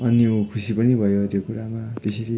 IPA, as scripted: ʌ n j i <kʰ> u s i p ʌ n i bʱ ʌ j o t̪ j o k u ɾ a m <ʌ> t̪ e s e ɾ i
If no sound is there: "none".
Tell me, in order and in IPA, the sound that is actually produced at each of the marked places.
kʰ, a

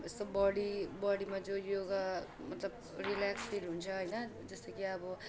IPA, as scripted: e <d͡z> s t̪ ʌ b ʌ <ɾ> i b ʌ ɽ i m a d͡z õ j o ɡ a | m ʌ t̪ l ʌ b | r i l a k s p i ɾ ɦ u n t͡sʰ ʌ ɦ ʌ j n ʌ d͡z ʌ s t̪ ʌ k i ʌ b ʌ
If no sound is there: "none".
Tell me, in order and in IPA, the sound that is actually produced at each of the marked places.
none, ɽ

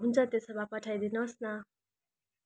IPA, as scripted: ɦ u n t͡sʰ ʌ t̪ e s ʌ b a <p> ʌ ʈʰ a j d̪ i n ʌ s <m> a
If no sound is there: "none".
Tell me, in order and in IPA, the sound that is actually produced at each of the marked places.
p, n

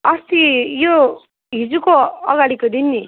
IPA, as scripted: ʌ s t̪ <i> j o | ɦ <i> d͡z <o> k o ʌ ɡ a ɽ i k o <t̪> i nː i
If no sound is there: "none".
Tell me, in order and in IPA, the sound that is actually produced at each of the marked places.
i, i, u, d̪

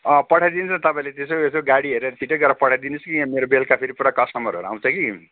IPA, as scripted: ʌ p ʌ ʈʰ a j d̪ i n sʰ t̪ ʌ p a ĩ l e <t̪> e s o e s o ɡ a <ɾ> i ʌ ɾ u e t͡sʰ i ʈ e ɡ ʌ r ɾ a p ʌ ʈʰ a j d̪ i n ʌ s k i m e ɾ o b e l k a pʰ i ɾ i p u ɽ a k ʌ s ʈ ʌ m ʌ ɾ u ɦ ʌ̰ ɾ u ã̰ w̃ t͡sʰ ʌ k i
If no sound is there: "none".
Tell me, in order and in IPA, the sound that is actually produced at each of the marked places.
t̪, ɽ

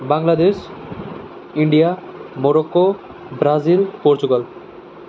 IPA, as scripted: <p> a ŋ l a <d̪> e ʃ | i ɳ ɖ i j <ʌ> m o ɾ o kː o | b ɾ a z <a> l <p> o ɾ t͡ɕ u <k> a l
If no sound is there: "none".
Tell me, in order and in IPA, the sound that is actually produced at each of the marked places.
b, d̪, a, i, p, ɡ

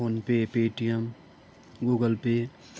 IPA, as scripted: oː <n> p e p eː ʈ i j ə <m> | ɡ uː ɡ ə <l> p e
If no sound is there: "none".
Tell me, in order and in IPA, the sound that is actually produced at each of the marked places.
n, m, l

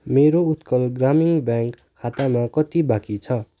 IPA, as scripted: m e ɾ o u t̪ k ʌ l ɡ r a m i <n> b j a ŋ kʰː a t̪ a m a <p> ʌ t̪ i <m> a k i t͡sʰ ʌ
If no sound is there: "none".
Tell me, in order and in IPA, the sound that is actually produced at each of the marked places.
ŋ, k, b

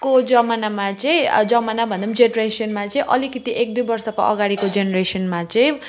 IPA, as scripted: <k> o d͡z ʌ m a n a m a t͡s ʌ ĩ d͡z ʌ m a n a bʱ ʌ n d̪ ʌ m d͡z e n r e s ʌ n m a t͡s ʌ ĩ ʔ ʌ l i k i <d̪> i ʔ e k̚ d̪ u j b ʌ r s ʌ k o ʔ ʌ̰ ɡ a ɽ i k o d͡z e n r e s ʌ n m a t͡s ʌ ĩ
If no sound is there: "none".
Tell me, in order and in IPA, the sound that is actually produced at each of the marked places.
k, t̪

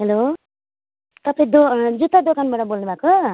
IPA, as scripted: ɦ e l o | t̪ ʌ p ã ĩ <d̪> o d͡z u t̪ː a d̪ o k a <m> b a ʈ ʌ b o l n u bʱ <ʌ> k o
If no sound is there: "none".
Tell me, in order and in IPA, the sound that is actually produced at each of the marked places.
d̪, n, a

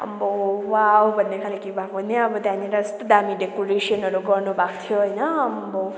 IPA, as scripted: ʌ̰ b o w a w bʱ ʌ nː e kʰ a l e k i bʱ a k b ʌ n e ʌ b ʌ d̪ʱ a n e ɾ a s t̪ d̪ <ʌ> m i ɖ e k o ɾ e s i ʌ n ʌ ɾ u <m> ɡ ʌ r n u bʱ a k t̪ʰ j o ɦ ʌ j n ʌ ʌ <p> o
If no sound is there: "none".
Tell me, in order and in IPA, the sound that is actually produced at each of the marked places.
a, none, b

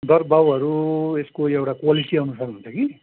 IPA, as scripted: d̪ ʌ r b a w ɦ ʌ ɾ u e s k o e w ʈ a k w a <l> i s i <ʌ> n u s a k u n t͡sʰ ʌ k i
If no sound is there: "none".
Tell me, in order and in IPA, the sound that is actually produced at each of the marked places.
l, ʌ

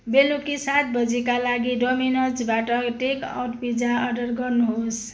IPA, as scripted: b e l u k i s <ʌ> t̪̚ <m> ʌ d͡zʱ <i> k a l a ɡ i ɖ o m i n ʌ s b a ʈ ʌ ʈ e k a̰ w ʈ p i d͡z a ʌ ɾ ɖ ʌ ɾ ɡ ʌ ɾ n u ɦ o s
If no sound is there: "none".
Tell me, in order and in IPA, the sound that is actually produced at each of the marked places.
a, b, i

